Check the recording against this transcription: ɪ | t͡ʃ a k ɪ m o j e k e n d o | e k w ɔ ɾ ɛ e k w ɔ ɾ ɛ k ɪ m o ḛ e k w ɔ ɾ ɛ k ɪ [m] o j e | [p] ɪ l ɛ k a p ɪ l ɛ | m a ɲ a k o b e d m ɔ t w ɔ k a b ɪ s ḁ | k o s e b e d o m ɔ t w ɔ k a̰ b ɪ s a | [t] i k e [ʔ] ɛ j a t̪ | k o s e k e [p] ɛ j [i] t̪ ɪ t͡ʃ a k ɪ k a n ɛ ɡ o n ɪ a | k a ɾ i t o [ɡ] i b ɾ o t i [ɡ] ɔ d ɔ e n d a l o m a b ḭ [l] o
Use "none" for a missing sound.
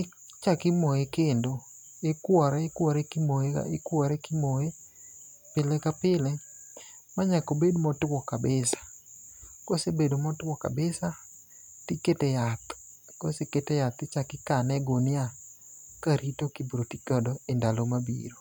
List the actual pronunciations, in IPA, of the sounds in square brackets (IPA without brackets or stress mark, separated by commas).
m, p, t, t, t, a, k, k, ɾ